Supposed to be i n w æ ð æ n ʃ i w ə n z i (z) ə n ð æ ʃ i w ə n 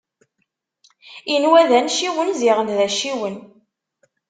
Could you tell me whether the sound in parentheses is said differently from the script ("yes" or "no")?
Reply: yes